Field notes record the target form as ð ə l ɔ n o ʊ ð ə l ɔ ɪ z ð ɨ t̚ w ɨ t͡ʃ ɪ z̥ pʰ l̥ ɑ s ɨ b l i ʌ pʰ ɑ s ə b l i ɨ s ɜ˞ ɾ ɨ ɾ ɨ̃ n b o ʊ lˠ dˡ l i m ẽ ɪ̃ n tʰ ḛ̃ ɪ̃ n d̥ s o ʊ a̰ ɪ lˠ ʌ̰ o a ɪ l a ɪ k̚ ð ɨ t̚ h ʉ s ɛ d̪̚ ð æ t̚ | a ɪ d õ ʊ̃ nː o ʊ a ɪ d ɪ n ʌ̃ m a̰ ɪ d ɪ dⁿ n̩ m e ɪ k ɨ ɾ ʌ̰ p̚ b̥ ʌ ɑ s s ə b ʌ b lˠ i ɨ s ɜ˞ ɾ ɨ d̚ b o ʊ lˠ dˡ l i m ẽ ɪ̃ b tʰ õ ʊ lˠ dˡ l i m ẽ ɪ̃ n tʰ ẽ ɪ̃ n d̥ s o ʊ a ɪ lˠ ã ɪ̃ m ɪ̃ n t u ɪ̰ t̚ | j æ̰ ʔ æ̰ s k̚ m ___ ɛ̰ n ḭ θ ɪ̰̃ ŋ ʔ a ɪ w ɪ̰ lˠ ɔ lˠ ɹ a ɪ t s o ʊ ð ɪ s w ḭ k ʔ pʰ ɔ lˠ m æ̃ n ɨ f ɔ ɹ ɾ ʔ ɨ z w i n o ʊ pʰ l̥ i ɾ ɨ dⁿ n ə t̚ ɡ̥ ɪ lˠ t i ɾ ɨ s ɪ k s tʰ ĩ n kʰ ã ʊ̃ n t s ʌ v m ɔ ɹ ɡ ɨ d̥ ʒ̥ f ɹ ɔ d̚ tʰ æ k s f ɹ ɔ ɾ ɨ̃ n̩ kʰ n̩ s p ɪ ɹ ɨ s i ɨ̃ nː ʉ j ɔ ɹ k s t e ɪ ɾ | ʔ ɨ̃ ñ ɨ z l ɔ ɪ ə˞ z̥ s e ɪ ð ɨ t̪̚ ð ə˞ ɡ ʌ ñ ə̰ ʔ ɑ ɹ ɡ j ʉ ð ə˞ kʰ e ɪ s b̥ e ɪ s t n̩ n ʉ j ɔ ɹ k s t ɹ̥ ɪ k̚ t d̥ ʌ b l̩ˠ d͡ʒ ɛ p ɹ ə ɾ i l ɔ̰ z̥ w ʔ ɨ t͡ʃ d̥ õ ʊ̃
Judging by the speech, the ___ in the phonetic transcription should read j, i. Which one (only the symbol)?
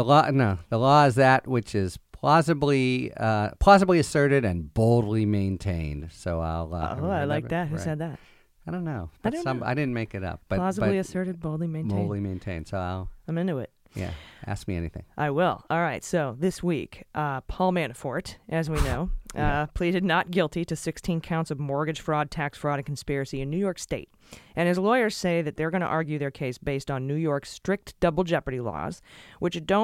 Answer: i